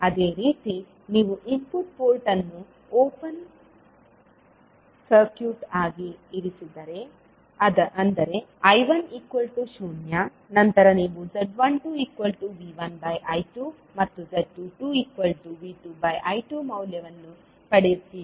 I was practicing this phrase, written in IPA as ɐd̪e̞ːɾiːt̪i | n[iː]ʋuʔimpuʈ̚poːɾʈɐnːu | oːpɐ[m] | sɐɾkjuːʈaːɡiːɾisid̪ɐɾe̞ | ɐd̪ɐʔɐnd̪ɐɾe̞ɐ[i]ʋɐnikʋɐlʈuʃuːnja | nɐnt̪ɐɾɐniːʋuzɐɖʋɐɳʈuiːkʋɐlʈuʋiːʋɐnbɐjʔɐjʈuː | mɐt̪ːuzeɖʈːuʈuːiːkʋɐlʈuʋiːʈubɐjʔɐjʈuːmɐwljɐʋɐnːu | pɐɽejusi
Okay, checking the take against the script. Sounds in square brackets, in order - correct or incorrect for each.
correct, incorrect: n, incorrect: j

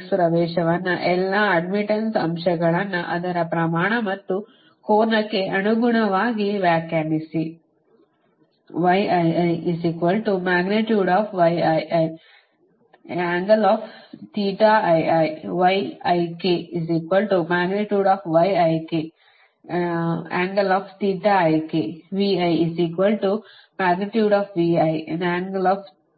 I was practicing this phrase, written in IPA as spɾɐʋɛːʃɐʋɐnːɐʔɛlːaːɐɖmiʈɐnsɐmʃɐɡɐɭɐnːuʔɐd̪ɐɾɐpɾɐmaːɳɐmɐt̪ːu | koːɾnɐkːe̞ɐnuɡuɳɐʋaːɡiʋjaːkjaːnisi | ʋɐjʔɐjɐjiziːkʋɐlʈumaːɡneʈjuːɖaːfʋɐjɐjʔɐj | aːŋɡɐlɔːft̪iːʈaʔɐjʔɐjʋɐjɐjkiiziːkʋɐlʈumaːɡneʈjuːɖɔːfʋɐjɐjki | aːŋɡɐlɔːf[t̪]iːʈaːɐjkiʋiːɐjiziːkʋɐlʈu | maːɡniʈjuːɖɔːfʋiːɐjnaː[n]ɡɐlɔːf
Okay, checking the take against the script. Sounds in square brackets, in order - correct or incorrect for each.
correct, incorrect: ŋ

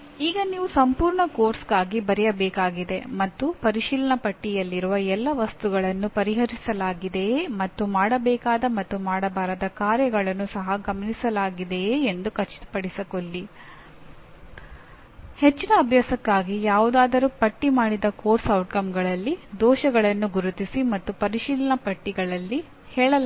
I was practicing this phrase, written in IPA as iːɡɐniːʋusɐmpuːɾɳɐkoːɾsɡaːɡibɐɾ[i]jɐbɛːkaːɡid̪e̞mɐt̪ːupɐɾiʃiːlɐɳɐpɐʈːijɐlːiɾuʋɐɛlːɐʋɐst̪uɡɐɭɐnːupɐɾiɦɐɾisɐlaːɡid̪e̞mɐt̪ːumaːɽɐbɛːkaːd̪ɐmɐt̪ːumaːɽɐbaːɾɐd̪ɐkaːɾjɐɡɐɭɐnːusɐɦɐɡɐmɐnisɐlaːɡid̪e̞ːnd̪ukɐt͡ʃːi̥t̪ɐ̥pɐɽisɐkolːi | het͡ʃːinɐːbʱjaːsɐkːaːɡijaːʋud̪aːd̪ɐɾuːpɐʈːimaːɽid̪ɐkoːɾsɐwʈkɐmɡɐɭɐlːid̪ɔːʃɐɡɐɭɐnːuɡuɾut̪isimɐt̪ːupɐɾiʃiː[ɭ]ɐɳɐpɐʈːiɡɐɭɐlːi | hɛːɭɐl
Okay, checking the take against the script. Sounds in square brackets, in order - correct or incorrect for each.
incorrect: ɛ, incorrect: l

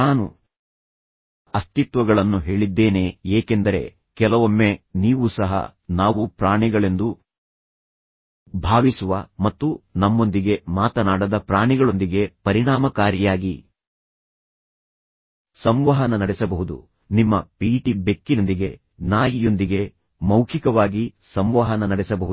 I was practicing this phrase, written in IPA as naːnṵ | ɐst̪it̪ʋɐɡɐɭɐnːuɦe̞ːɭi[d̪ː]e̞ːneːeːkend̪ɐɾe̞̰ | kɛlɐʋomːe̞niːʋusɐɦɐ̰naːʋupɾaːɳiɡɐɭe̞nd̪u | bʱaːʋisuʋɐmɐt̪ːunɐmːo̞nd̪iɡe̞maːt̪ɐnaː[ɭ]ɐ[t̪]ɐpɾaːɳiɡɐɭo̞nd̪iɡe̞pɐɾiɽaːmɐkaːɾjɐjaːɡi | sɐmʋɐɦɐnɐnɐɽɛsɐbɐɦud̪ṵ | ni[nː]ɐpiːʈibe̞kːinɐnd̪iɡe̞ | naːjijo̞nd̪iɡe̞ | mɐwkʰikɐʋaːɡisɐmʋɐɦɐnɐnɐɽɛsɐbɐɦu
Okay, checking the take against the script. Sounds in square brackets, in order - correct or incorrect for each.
correct, incorrect: ɽ, incorrect: d̪, incorrect: mː

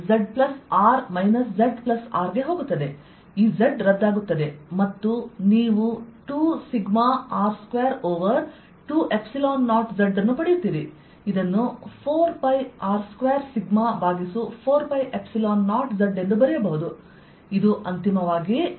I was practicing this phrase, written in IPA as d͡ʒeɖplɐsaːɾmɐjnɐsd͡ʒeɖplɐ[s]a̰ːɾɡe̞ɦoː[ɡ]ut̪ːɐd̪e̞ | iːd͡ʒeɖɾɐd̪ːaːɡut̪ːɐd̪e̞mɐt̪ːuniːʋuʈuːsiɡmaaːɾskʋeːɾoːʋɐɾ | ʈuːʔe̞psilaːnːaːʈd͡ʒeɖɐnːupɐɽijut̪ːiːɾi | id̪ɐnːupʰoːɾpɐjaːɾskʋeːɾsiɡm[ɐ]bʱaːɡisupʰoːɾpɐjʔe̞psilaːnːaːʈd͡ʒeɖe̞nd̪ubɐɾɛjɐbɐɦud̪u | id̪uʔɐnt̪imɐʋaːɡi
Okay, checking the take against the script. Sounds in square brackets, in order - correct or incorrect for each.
correct, correct, incorrect: a

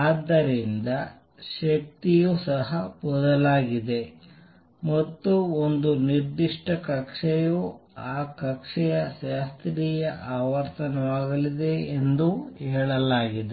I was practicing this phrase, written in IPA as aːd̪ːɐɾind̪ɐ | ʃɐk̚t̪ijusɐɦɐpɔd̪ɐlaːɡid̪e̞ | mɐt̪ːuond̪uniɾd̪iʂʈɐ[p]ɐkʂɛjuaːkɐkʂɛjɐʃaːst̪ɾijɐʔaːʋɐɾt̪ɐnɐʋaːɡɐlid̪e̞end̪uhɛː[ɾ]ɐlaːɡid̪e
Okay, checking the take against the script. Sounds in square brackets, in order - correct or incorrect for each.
incorrect: k, incorrect: ɭ

